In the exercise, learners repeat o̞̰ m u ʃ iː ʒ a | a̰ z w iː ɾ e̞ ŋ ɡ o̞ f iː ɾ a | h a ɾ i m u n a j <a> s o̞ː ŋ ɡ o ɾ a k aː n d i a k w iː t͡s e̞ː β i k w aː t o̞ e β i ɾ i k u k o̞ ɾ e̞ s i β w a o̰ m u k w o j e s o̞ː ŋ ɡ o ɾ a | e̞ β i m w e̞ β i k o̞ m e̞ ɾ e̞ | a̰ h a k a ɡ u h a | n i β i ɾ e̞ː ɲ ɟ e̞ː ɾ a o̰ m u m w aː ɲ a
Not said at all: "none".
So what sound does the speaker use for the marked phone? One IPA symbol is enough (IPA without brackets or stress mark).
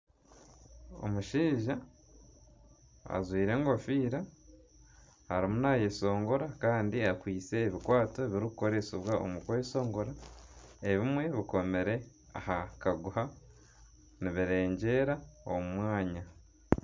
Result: e